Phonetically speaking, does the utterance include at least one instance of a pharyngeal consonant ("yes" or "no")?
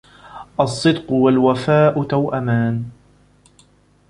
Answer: no